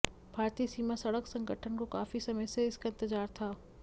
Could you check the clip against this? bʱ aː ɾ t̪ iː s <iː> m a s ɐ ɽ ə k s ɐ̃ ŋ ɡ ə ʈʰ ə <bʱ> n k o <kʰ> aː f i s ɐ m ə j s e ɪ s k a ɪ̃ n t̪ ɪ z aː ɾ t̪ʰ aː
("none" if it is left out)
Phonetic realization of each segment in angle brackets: iː, none, k

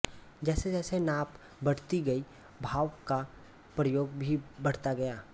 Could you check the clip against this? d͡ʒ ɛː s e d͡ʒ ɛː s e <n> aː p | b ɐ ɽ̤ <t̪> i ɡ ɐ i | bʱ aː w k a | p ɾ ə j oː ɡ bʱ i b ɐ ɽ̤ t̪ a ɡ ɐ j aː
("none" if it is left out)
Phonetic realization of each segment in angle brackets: n, t̪

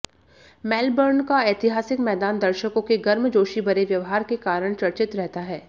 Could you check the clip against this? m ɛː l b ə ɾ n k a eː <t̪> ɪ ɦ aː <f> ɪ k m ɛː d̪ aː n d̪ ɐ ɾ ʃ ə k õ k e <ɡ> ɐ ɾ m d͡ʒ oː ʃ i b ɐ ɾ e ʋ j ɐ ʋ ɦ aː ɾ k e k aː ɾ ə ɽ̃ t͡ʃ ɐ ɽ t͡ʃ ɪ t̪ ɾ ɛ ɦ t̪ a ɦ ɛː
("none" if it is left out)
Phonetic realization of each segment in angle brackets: t̪, s, ɡ

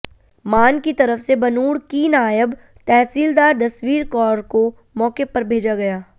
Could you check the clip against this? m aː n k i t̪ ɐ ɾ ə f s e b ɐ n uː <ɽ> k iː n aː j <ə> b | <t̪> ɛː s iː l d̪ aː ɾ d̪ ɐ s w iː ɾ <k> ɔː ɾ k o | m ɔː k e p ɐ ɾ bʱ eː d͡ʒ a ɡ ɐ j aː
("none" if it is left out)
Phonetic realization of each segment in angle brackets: ɽ, ə, t̪, k

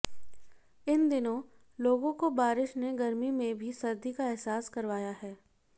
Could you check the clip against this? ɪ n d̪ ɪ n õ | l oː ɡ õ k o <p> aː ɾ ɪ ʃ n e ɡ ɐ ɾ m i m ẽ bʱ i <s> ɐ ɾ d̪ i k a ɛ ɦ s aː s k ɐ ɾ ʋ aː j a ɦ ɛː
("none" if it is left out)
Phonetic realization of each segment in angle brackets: b, s

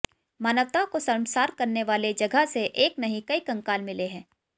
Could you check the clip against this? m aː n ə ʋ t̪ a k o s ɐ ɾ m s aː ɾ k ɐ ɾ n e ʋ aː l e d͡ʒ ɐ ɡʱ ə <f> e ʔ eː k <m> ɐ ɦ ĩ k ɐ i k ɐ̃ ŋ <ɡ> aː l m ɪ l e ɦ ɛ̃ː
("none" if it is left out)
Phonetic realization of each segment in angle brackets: s, n, k

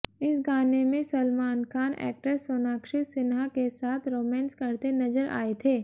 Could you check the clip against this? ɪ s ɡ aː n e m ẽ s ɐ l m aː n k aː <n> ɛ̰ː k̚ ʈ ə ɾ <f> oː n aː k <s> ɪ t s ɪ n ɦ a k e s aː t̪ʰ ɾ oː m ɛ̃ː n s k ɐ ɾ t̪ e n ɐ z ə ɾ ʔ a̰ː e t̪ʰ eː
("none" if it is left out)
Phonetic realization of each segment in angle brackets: n, s, ʃ

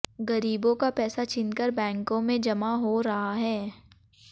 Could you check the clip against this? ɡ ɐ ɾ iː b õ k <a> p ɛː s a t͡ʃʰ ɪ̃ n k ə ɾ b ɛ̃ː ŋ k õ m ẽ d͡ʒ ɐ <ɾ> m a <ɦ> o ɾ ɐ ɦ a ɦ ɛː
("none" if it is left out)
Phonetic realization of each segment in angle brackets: a, none, ɦ

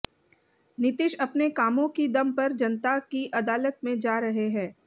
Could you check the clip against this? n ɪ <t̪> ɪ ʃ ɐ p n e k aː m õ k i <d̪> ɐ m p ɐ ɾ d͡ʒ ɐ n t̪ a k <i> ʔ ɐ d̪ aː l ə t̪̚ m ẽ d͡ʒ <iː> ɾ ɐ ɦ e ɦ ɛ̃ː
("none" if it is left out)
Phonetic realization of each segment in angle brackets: t̪, d̪, i, aː

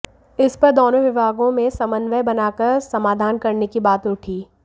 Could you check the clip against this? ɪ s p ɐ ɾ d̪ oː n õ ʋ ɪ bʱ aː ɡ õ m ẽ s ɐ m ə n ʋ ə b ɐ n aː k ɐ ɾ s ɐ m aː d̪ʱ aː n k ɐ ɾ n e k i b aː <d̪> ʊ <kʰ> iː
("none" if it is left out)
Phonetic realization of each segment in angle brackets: t̪, ʈʰ

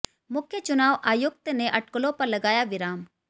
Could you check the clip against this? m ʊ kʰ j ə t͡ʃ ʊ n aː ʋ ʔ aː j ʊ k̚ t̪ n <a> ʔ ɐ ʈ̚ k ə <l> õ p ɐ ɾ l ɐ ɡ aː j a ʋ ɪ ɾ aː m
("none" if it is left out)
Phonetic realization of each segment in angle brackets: e, l

